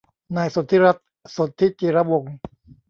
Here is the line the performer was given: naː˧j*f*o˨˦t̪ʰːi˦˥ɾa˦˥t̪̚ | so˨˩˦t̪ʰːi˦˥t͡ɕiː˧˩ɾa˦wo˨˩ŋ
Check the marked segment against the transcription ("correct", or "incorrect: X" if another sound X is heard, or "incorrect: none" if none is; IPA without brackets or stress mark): incorrect: s